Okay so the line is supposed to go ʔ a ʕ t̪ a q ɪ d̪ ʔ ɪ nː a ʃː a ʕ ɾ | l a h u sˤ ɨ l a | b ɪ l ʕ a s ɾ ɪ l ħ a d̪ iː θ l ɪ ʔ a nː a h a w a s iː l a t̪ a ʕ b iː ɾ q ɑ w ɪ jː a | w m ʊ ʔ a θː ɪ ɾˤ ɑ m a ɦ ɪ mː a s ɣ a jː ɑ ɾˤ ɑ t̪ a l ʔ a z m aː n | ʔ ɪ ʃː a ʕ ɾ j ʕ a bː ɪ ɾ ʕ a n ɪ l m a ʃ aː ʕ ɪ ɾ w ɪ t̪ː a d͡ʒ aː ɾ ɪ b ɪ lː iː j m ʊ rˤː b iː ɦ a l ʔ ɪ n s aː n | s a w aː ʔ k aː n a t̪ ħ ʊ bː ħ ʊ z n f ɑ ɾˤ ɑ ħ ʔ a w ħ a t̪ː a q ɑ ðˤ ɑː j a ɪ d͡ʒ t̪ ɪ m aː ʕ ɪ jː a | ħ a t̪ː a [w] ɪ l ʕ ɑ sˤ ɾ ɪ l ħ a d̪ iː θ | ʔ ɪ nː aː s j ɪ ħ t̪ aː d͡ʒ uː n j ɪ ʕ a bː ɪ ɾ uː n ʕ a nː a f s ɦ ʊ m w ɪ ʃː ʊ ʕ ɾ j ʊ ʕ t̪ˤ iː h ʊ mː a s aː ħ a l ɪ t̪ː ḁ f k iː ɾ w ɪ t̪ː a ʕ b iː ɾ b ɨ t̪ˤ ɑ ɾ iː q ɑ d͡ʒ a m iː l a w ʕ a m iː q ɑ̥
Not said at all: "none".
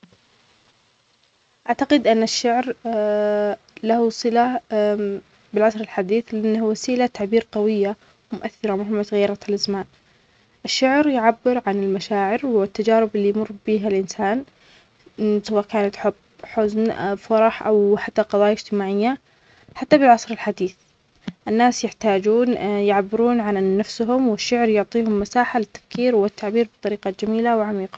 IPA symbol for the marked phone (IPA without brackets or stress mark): b